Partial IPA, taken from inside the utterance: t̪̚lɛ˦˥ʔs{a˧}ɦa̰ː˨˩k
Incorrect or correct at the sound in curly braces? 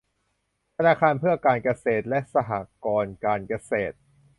correct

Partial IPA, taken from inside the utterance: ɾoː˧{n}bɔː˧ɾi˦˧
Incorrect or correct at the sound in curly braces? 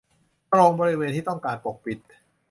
incorrect: ŋ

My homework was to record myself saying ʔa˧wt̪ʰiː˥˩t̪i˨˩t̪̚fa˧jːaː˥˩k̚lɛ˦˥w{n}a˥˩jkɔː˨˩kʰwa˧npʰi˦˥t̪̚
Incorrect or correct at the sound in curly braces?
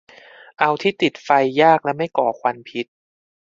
incorrect: m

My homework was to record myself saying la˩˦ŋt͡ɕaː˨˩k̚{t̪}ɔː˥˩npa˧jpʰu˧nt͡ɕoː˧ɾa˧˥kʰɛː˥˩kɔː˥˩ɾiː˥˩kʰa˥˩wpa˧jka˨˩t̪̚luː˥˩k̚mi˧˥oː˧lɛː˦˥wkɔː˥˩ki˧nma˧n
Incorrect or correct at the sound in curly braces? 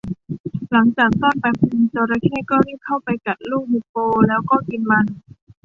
correct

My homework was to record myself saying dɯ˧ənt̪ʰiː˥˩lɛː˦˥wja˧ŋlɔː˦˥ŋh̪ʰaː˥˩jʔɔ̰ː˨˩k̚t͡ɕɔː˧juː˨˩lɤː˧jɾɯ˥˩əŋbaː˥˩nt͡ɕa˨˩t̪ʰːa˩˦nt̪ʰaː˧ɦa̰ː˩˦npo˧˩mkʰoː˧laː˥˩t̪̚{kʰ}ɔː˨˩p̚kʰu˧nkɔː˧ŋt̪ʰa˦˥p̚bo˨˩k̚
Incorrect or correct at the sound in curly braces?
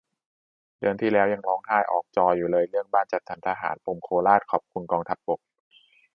correct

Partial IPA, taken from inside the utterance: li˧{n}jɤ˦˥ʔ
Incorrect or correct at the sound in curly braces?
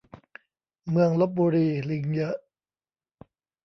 incorrect: ŋ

